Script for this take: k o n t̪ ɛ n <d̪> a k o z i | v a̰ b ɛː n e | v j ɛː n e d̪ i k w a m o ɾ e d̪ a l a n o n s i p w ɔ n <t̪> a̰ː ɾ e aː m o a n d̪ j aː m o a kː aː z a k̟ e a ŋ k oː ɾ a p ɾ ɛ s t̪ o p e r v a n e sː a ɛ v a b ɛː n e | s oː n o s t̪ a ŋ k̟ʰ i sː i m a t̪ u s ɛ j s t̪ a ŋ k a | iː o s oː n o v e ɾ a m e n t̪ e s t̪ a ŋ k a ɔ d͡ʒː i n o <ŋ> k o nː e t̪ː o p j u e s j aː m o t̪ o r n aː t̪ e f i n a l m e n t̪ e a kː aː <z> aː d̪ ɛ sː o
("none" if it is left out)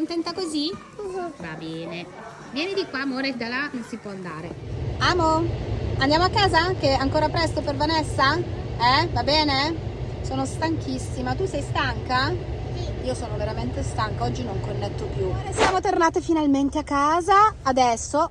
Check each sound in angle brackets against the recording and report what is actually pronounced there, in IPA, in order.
t̪, d̪, ŋ, z

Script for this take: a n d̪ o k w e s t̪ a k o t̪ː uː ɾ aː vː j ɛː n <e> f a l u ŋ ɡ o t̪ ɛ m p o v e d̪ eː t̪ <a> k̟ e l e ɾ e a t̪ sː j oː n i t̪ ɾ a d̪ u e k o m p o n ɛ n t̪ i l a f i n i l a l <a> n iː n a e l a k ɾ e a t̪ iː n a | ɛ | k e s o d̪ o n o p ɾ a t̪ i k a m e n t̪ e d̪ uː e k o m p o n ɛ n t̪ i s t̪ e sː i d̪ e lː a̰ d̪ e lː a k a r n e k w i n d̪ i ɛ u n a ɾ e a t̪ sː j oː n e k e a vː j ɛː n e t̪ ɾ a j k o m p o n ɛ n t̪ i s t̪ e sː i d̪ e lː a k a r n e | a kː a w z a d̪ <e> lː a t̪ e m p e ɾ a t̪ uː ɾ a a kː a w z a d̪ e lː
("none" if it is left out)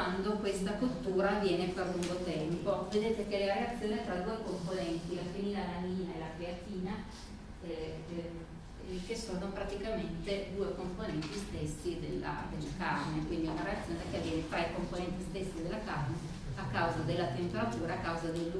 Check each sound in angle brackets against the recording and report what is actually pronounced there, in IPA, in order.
e, e, a, e

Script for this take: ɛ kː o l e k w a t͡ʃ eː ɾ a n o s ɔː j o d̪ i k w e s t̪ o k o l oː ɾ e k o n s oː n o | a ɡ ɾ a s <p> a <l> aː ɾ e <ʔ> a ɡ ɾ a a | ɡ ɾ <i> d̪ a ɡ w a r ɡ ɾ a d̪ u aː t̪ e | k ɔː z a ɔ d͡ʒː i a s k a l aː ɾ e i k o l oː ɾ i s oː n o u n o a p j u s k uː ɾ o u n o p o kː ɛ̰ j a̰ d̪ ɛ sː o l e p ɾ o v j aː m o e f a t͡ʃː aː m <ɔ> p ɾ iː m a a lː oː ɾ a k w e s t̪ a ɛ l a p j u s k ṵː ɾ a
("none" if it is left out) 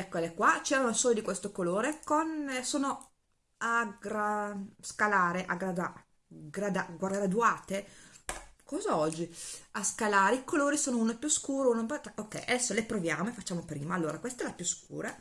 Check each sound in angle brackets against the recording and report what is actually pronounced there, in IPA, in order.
k, l, ʔ, a, o

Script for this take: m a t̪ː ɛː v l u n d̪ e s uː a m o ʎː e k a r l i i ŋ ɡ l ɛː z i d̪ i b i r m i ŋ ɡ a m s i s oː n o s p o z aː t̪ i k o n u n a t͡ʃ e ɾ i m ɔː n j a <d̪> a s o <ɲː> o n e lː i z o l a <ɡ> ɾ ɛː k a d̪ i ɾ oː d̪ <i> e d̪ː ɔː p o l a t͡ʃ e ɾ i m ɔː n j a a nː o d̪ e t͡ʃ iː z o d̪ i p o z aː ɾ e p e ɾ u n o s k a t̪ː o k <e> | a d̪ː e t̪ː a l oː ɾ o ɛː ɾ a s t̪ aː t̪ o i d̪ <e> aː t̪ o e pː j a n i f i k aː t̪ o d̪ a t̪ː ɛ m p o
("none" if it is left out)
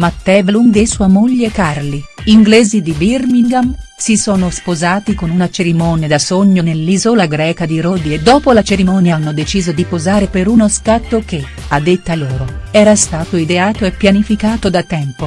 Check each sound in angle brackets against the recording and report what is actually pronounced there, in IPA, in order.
d̪, ɲː, ɡ, i, e, e

